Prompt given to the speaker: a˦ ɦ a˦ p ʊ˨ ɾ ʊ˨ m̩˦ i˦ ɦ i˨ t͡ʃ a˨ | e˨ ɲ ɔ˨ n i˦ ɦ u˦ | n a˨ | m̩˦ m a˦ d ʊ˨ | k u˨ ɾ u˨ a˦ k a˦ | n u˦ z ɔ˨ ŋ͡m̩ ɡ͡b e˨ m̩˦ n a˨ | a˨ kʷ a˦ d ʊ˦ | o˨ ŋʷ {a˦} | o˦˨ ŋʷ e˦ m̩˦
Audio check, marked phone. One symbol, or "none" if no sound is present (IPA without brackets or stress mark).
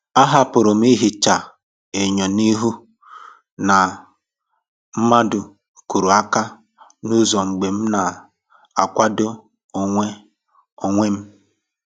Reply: e˦